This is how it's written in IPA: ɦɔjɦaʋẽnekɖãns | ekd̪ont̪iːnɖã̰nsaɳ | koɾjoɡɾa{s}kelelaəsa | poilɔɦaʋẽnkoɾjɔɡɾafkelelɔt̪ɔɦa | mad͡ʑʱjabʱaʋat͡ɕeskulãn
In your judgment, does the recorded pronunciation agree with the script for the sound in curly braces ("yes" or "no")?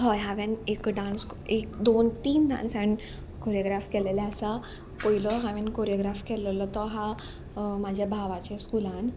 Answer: no